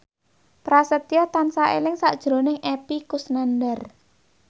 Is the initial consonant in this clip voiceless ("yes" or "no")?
yes